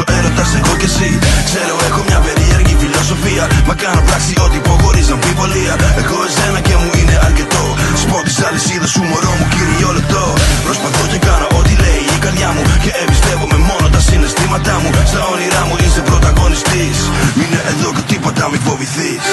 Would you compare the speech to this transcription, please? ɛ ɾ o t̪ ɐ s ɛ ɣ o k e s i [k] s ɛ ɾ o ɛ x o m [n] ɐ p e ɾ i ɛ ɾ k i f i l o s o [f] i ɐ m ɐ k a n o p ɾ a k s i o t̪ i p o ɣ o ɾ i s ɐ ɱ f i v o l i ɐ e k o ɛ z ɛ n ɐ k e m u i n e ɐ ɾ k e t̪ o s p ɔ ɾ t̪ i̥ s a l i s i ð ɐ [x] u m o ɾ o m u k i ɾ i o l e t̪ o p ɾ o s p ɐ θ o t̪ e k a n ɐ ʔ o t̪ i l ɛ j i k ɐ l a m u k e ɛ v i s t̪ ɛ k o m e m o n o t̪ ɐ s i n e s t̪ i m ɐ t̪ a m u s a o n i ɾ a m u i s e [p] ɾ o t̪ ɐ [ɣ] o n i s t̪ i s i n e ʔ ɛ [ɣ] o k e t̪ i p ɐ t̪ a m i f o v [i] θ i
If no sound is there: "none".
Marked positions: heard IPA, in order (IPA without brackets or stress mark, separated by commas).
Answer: k, ɲ, f, s, p, ɣ, ð, i